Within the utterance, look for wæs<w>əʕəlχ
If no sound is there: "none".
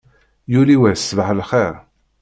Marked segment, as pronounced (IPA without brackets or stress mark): v